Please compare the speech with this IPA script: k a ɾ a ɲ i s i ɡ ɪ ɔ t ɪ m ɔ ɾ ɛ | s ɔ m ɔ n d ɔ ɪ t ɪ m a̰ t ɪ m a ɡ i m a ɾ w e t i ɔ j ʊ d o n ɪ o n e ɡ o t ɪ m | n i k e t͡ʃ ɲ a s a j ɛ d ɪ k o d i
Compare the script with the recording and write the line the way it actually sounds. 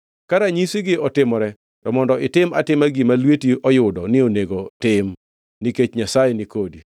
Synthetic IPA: k a ɾ a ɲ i s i ɡ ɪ ɔ t ɪ m ɔ ɾ ɛ | t ɔ m ɔ n d ɔ ɪ t ɪ m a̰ t ɪ m a ɡ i m a l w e t i ɔ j ʊ d ɔ n ɪ o n e ɡ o t ɪ m | n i k e t͡ʃ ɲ a s a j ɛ n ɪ k o d i